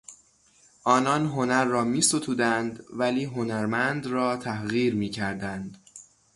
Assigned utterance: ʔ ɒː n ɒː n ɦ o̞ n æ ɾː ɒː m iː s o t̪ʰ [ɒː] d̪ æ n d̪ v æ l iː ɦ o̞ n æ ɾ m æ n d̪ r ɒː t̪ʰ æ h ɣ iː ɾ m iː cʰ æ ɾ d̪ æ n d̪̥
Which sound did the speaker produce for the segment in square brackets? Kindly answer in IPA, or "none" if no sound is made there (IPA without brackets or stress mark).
uː